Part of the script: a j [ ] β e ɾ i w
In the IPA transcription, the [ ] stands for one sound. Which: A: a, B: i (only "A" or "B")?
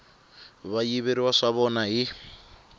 B